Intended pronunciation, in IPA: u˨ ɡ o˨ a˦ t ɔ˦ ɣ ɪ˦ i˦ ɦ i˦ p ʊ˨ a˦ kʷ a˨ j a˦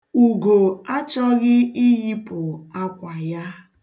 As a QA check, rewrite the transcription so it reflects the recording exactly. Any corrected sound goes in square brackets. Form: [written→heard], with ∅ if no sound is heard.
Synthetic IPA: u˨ ɡ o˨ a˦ [t→t͡ʃ] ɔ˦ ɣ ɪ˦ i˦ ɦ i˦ p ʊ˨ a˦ kʷ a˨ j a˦